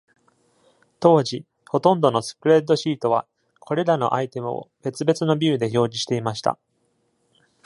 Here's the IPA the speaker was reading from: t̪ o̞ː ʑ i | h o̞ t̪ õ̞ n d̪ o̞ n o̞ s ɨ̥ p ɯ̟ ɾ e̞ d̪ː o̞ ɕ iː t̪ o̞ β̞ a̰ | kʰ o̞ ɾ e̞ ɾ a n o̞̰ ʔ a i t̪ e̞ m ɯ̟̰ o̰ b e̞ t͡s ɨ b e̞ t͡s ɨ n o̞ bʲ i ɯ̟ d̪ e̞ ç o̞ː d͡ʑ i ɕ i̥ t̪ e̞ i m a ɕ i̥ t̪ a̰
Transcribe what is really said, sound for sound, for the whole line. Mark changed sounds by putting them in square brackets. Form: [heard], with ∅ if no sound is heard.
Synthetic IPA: t̪ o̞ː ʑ i | h o̞ t̪ õ̞ n d̪ o̞ n o̞ s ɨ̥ p ɯ̟ ɾ e̞ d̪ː o̞ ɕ iː t̪ o̞ β̞ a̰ | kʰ o̞ ɾ e̞ ɾ a n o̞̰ ʔ a i t̪ e̞ m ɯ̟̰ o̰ b e̞ t͡s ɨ b e̞ t͡s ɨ n o̞ bʲ i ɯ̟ d̪ e̞ ç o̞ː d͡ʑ i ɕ i̥ t̪ e̞ i m a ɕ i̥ t̪ a̰